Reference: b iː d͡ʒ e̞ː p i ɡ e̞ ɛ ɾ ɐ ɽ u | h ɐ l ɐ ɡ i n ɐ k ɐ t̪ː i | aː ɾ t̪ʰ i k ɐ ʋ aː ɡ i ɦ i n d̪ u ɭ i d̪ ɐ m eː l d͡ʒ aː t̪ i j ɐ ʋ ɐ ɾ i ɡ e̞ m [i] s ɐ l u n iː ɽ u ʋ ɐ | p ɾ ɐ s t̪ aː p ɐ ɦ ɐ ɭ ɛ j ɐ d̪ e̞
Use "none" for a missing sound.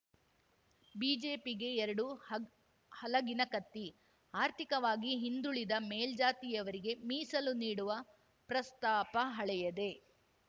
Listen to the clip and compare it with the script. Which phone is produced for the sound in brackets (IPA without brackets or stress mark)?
iː